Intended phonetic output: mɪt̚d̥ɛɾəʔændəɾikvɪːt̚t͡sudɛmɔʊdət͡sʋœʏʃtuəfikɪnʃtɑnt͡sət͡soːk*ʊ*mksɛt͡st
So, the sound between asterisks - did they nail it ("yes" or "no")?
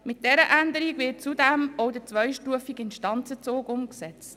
yes